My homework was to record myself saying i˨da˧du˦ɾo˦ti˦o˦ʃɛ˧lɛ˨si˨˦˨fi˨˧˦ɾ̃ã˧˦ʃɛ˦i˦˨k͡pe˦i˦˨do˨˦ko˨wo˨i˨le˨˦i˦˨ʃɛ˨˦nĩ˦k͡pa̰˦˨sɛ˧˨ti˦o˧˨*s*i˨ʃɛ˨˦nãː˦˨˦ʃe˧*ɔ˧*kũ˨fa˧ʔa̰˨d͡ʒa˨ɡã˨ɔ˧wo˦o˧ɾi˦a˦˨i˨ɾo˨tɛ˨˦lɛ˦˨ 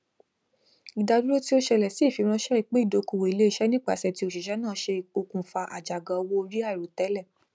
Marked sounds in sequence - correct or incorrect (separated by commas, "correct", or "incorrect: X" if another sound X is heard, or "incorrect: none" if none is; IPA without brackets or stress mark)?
incorrect: ʃ, incorrect: o˧